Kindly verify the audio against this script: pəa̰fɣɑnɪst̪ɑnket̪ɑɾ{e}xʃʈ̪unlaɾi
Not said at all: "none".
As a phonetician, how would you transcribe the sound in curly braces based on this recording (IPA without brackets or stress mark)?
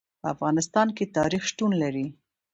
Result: i